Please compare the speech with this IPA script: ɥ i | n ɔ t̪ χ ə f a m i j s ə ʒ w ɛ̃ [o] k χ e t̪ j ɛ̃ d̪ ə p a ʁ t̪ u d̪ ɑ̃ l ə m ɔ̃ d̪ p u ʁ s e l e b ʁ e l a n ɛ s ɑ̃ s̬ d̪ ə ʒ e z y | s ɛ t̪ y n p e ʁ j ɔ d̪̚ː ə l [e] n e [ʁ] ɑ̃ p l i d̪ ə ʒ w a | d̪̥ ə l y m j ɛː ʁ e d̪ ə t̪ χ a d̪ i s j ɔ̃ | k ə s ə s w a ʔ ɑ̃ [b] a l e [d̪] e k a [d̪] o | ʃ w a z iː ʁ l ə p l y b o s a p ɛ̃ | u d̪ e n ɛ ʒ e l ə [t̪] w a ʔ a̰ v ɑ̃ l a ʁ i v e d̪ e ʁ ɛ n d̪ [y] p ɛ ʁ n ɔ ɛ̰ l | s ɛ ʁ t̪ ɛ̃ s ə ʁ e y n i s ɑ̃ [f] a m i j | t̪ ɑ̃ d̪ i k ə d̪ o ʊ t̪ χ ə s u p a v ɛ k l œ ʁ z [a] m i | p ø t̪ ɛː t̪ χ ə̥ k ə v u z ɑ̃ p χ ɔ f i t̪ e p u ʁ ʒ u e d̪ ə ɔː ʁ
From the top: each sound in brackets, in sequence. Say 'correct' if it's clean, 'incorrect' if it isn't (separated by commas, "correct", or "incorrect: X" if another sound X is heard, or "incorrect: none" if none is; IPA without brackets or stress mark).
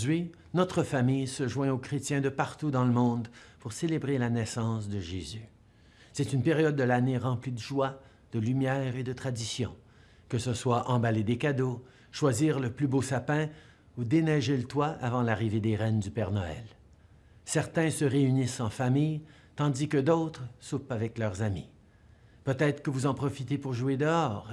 correct, incorrect: a, correct, correct, correct, correct, correct, correct, correct, correct